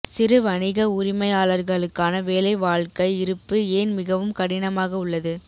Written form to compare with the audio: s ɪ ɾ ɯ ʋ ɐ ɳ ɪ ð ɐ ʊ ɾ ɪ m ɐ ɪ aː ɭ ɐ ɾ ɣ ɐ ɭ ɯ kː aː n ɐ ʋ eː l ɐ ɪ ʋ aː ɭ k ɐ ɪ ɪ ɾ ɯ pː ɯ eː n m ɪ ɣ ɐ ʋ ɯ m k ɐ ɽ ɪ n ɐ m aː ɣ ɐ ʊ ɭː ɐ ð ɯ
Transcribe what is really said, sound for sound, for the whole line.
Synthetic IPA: s ɪ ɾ ɯ ʋ ɐ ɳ ɪ ɣ ɐ ʊ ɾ ɪ m ɐ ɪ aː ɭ ɐ ɾ ɣ ɐ ɭ ɯ kː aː n ɐ ʋ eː l ɐ ɪ ʋ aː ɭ k ɐ ɪ ɪ ɾ ɯ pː ɯ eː n m ɪ ɣ ɐ ʋ ɯ m k ɐ ɽ ɪ n ɐ m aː ɣ ɐ ʊ ɭː ɐ ð ɯ